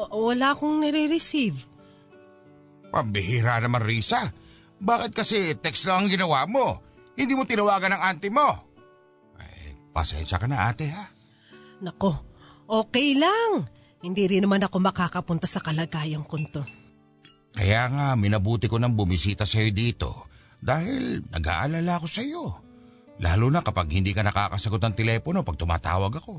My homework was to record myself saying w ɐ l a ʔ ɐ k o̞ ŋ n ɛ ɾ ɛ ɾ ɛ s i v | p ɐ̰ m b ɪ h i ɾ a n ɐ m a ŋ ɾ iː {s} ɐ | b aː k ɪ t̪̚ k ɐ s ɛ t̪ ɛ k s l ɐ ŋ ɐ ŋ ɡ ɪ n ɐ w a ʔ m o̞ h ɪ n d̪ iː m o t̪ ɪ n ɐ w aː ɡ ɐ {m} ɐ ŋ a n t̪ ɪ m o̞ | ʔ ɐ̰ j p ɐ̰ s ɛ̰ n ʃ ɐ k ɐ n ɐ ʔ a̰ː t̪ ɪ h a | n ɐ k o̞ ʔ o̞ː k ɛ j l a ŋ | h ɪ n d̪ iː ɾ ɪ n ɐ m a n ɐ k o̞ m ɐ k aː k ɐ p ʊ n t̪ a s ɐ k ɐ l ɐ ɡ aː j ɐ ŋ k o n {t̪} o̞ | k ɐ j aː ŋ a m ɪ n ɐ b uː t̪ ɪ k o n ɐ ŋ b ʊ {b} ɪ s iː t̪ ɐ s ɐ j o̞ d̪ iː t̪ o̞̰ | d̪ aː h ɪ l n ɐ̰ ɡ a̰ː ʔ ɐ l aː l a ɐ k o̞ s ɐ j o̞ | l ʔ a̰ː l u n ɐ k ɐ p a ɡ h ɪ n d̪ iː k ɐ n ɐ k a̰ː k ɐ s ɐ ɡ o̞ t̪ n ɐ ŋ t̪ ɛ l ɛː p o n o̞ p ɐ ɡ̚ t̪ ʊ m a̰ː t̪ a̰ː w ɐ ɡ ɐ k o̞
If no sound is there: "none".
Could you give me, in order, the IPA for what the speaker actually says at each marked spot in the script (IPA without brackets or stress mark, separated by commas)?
s, n, t̪, m